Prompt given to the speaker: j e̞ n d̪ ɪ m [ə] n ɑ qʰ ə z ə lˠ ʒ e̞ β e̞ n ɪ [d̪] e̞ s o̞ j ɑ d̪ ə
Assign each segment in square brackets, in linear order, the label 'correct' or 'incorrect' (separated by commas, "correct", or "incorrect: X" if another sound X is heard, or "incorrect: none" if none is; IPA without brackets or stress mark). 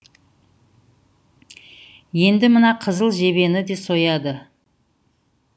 correct, correct